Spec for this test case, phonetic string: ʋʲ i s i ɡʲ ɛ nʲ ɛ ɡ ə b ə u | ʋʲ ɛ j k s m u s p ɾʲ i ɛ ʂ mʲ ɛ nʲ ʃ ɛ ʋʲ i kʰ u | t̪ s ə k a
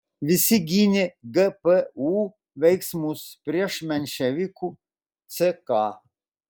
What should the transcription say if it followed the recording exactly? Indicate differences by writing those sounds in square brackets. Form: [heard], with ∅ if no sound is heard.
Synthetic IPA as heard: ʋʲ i s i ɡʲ [i] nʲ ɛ ɡ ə [p] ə u | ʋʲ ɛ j k s m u s p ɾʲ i ɛ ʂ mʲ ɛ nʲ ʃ ɛ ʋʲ i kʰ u | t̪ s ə k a